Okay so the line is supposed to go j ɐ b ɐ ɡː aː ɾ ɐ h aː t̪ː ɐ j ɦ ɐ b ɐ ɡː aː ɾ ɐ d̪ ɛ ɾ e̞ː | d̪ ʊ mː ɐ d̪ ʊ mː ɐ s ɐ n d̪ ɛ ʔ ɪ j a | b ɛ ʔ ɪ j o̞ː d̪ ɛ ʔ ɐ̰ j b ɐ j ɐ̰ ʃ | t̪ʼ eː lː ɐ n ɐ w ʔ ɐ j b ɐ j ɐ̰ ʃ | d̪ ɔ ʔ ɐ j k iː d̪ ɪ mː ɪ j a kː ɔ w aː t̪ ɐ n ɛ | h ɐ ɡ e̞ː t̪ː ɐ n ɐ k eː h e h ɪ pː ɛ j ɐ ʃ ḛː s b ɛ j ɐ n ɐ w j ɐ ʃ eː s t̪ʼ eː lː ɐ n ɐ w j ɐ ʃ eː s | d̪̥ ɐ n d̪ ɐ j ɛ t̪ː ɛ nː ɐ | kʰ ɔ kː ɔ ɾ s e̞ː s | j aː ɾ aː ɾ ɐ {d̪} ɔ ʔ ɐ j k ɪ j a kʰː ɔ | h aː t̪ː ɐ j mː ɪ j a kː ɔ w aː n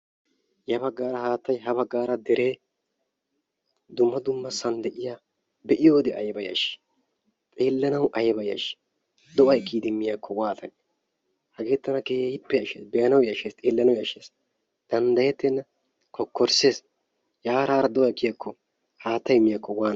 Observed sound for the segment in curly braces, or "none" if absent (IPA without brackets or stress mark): d̪